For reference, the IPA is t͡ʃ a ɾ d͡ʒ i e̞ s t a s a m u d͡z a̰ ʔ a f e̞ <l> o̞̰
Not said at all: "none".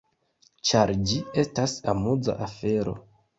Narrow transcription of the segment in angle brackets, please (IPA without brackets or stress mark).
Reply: ɾ